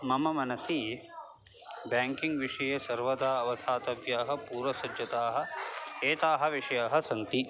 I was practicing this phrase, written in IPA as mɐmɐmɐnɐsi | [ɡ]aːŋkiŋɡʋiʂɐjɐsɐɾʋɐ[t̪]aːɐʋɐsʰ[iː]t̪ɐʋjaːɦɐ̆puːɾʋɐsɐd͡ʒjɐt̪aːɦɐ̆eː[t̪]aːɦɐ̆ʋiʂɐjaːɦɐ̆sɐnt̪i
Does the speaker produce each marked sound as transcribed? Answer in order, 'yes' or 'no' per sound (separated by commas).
no, no, no, yes